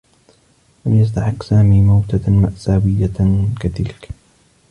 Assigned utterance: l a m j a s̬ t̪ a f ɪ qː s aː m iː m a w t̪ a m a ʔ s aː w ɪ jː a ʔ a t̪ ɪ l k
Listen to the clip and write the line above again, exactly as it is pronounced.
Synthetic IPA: l a m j a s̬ t̪ a ħ ɪ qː s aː m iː m a w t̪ a m a ʔ s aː w ɪ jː a k a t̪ ɪ l k